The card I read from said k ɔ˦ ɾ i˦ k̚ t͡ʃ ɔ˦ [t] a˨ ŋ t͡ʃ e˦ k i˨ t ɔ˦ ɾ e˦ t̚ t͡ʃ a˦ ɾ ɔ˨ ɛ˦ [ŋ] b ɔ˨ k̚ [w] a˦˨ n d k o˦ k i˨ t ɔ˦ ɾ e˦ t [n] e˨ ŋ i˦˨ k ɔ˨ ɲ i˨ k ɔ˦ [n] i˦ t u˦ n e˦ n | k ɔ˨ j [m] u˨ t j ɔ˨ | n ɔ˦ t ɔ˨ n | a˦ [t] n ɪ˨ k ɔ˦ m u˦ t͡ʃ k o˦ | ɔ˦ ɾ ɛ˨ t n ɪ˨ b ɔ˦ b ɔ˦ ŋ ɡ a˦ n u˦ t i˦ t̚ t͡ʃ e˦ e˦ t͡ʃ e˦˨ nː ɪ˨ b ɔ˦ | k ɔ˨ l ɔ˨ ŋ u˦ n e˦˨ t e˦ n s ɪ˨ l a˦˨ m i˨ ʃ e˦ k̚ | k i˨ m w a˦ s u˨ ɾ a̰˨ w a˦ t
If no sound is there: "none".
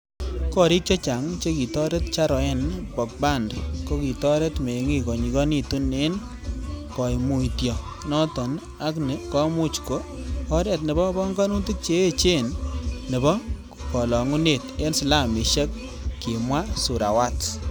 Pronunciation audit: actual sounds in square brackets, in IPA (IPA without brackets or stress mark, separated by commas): t͡ʃ, n, b, m, n, m, k